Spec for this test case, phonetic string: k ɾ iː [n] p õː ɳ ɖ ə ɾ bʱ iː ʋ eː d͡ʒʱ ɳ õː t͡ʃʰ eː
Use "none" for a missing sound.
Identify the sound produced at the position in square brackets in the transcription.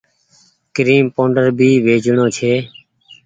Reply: m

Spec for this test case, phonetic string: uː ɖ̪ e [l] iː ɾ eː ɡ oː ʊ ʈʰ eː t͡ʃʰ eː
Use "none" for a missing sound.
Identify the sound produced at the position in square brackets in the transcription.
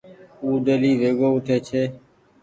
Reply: l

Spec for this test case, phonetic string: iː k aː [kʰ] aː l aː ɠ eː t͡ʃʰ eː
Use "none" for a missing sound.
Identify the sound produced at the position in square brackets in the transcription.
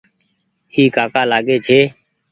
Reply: k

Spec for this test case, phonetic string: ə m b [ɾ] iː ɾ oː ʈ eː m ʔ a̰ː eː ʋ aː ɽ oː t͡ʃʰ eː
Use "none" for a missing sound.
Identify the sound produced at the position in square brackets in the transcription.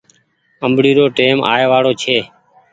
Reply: ɽ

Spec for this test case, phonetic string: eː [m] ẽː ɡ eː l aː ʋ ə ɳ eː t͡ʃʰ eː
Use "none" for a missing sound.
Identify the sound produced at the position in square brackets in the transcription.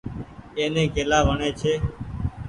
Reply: n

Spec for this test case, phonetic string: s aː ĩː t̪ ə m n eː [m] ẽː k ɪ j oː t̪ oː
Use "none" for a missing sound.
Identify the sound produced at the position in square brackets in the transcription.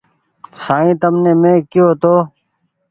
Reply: m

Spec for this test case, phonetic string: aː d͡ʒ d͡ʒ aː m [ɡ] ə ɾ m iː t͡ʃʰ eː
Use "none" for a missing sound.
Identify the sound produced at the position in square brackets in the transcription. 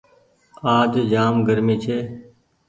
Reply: ɡ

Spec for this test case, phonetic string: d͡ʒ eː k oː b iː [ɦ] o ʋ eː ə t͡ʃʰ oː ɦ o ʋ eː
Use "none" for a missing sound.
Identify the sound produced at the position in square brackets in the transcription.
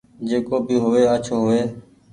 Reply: ɦ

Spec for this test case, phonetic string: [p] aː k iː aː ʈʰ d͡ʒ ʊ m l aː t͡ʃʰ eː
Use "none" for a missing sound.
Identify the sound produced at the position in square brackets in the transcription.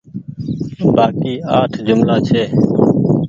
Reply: b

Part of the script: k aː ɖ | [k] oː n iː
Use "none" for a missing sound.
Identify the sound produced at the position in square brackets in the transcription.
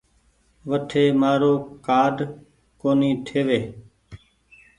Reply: k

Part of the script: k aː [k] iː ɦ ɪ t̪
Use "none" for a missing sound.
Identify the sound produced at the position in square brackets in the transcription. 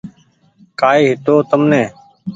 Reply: none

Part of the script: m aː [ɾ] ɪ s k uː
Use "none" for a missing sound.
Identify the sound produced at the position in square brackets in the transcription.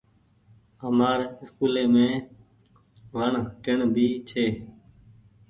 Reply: ɾ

